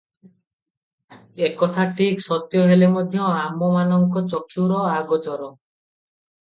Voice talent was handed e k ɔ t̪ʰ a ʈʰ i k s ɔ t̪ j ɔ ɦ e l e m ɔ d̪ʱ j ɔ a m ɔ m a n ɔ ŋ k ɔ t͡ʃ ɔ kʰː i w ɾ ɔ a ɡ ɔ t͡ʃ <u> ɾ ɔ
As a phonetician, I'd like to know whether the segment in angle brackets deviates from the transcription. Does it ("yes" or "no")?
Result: yes